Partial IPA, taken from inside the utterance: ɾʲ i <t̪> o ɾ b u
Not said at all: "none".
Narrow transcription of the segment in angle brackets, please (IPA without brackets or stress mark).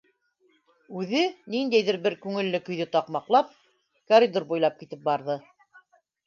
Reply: d̪